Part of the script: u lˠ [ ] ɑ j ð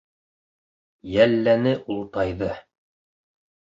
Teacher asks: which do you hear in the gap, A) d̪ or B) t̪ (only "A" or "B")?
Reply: B